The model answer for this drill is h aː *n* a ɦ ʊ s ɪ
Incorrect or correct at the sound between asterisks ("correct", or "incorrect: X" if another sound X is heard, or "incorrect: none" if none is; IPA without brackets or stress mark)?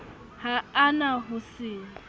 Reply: correct